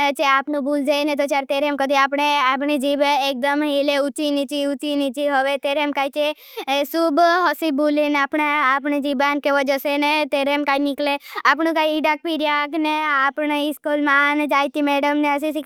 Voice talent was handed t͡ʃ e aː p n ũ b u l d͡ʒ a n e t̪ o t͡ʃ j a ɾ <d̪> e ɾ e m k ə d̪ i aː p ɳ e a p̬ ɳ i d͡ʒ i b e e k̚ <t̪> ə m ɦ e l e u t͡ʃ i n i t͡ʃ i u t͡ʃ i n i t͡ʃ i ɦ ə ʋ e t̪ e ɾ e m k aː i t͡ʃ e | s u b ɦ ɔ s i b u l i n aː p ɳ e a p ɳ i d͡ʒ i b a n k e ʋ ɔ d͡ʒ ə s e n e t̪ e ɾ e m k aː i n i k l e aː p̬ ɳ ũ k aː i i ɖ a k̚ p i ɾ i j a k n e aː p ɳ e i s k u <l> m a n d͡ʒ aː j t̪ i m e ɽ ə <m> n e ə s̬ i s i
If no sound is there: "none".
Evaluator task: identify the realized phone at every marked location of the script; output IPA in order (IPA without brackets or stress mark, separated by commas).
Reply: t̪, d̪, l, m